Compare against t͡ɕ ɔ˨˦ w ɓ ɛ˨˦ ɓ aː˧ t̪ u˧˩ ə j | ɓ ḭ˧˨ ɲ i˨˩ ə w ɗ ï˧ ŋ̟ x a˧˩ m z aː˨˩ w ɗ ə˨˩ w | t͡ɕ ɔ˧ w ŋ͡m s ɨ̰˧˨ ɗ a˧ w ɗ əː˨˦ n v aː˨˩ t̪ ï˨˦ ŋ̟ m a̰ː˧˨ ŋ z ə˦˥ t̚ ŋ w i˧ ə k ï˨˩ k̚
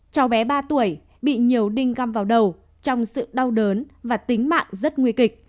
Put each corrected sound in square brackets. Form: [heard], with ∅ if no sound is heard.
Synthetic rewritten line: t͡ɕ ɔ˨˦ w ɓ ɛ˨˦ ɓ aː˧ t̪ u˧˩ ə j | ɓ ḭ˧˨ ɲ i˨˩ ə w ɗ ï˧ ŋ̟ [ɣ] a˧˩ m [v] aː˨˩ w ɗ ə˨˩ w | t͡ɕ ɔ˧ w ŋ͡m s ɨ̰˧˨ ɗ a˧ w ɗ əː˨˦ n v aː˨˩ t̪ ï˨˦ ŋ̟ m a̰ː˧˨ ŋ z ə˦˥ t̚ ŋ w i˧ ə k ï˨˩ k̚